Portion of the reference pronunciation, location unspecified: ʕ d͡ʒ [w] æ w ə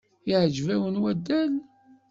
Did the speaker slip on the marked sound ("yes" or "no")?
yes